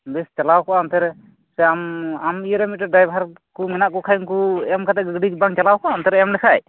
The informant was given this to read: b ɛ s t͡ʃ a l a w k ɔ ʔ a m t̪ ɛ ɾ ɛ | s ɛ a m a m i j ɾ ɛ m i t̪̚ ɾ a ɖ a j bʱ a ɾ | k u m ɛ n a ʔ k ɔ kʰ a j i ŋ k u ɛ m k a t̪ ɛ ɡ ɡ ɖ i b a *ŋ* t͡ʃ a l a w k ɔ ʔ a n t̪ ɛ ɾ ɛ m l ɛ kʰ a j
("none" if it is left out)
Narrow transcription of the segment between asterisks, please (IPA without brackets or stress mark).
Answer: ŋ